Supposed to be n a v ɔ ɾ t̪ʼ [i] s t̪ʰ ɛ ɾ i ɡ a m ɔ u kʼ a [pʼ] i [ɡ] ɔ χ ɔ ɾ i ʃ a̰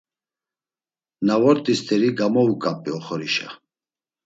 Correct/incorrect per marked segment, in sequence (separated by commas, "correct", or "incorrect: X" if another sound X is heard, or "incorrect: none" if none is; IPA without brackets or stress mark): correct, correct, incorrect: none